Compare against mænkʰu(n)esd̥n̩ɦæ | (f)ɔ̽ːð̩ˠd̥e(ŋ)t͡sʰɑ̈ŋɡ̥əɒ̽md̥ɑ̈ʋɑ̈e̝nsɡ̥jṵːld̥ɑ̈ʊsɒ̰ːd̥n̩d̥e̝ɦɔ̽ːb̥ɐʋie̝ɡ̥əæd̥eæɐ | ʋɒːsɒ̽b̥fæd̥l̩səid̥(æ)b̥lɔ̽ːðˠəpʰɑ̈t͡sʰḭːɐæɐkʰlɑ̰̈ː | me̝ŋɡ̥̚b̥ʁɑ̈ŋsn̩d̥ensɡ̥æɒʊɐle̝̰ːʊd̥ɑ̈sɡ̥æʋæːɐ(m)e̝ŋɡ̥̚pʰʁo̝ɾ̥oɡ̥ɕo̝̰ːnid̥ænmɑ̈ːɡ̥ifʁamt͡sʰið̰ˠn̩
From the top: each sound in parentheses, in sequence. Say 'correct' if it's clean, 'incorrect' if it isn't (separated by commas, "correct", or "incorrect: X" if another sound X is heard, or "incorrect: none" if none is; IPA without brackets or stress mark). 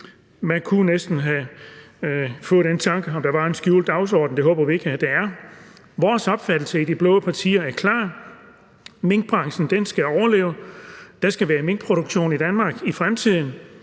correct, correct, incorrect: n, incorrect: i, correct